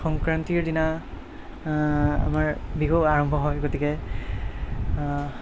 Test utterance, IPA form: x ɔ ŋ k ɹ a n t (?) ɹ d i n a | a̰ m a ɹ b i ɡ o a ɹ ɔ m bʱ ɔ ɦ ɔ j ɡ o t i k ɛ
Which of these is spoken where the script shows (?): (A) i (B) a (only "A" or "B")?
A